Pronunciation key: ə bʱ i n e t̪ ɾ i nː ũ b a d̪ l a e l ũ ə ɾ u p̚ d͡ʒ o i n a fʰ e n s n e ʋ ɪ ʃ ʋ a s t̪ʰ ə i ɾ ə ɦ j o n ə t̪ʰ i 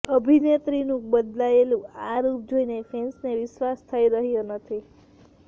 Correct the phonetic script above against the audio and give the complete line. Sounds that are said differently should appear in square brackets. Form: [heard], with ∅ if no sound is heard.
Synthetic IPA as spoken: ə bʱ i n e t̪ ɾ i [n] ũ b [ə] d̪ l a e l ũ [a] ɾ u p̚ d͡ʒ o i n [e] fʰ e n s n e ʋ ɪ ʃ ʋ a s t̪ʰ ə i ɾ ə ɦ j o n ə t̪ʰ i